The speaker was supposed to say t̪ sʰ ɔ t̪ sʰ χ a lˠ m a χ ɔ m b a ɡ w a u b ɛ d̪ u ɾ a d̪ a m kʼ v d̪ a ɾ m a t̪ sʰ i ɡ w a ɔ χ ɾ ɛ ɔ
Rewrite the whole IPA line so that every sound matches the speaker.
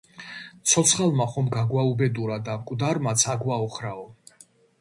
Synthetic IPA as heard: t̪ sʰ ɔ t̪ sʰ χ a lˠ m a χ ɔ m ɡ a ɡ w a u b ɛ d̪ u ɾ a d̪ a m kʼ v d̪ a ɾ m a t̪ sʰ a ɡ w a ɔ χ ɾ a ɔ